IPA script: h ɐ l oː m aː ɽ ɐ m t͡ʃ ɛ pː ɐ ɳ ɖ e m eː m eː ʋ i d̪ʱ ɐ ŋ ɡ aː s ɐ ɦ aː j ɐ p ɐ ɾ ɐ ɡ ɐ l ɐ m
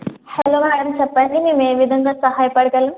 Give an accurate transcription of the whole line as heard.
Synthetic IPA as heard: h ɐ l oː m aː ɽ ɐ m t͡ʃ ɛ pː ɐ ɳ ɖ i m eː m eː ʋ i d̪ʱ ɐ ŋ ɡ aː s ɐ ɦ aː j ɐ p ɐ ɽ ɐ ɡ ɐ l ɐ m

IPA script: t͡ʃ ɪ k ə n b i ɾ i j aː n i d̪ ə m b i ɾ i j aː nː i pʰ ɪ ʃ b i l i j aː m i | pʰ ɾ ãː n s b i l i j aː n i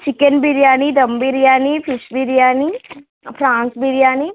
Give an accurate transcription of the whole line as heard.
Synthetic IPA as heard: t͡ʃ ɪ k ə n b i ɾ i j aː n i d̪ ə m b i ɾ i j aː n i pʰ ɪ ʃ b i ɾ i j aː n i | pʰ ɾ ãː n s b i ɾ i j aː n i

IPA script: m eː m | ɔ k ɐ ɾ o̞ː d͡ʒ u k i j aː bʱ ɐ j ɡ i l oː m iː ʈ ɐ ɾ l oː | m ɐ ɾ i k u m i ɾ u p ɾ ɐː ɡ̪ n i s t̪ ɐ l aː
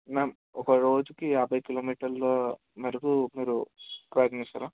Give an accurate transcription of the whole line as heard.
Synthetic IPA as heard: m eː m | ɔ k ɐ ɾ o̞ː d͡ʒ u k i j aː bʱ ɐ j k i l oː m iː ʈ ɐ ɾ l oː | m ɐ ɾ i k u m iː ɾ u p ɾ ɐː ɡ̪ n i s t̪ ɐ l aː

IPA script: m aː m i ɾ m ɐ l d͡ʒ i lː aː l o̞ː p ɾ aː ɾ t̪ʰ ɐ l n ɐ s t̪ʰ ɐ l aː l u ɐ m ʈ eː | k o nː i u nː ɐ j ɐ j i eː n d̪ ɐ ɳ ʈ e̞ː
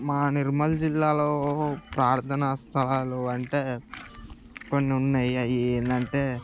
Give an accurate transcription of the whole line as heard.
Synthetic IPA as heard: m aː n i ɾ m ɐ l d͡ʒ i lː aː l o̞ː p ɾ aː ɾ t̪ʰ ɐ n ɐ s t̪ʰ ɐ l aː l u ɐ ɳ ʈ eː | k o nː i u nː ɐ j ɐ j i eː n d̪ ɐ ɳ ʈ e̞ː

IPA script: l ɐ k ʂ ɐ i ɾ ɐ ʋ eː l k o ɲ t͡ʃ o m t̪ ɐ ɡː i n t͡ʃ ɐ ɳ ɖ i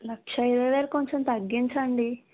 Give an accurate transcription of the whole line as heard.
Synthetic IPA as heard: l ɐ k ʂ ɐ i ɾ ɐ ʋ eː l k o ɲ t͡ʃ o m t̪ ɐ ɡː i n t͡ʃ ɐ ɳ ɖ i

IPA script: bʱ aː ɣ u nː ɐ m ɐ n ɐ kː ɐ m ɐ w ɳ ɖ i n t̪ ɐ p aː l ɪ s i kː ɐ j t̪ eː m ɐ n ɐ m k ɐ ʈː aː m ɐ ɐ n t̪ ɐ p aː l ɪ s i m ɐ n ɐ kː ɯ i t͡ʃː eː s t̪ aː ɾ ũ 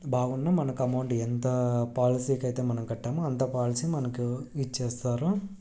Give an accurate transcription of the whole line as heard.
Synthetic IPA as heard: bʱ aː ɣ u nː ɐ m ɐ n ɐ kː ɐ m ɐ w ɳ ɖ ɛ n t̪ ɐ p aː l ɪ s i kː ɐ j t̪ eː m ɐ n ɐ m k ɐ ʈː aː m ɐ ɐ n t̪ ɐ p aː l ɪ s i m ɐ n ɐ kː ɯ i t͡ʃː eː s t̪ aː ɾ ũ

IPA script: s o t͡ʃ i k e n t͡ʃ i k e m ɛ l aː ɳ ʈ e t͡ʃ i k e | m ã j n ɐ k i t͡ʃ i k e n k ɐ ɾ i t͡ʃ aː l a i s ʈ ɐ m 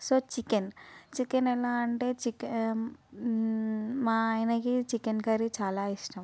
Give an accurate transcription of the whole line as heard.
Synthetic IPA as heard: s o t͡ʃ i k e n t͡ʃ i k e n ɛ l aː ɳ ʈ e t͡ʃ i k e | m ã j n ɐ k i t͡ʃ i k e n k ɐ ɾ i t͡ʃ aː l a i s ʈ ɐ m

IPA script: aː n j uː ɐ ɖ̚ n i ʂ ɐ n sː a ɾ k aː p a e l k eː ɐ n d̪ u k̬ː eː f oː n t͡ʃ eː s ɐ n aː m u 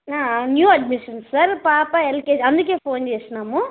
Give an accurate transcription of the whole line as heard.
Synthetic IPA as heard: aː n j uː ɐ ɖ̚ m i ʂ ɐ n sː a ɾ p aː p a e l k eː ɐ n d̪ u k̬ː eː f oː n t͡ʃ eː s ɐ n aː m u

